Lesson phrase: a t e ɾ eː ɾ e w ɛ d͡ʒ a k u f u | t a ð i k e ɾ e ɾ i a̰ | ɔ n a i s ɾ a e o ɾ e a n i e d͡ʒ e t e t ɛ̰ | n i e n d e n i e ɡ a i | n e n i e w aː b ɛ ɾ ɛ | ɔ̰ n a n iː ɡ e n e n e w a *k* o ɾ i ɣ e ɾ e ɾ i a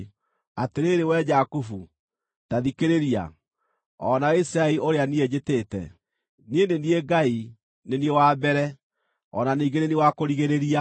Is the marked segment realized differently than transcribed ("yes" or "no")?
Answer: no